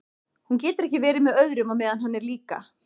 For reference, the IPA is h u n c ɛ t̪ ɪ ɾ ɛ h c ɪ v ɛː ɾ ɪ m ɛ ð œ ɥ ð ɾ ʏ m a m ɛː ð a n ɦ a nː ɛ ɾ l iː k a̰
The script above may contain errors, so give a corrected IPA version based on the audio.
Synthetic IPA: h u n c ɛː t̪ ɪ ɾ ɛ h c ɪ v ɛː ɾ ɪ m ɛ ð œ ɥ ð ɾ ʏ m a m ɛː ð a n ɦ a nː ɛ ɾ l iː k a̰